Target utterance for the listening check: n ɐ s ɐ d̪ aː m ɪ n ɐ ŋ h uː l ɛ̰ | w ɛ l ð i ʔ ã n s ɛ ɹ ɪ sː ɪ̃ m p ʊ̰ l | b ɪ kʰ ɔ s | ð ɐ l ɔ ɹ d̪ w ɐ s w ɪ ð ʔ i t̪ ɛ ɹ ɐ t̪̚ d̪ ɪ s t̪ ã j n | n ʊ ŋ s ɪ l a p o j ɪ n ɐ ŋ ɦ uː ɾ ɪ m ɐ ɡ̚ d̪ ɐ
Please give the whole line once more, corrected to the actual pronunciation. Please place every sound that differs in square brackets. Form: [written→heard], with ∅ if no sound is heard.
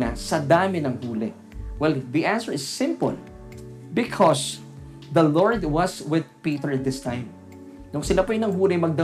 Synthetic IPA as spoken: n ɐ s ɐ d̪ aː m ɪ n ɐ ŋ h uː l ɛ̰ | w ɛ l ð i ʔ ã n s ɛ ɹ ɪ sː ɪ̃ m p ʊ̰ l | b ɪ kʰ ɔ s | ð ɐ l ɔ ɹ d̪ w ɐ s w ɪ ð [ʔ→p] i t̪ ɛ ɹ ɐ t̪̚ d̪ ɪ s t̪ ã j [n→m] | n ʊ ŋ s ɪ l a p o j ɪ n ɐ ŋ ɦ uː [ɾ→l] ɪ m ɐ ɡ̚ d̪ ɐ